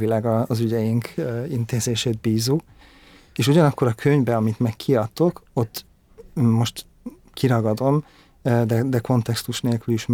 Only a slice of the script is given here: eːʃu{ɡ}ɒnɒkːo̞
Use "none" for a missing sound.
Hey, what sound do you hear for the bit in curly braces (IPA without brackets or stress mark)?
ɟ